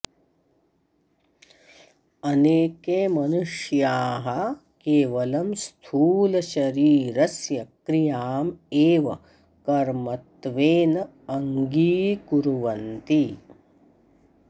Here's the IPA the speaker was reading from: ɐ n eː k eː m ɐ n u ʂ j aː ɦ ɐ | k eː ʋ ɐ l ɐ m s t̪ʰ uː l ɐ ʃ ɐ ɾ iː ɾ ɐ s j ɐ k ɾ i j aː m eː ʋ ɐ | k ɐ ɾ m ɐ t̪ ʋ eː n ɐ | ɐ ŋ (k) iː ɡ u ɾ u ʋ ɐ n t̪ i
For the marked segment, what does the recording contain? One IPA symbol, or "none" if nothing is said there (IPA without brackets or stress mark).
ɡ